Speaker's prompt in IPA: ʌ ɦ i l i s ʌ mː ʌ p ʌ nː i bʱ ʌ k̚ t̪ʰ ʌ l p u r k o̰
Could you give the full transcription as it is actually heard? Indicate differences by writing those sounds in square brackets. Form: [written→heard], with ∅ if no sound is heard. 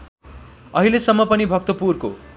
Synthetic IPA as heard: ʌ ɦ i l [i→e] s ʌ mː ʌ p ʌ [nː→n] i bʱ ʌ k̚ [t̪ʰ→t̪] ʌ [l→∅] p u r k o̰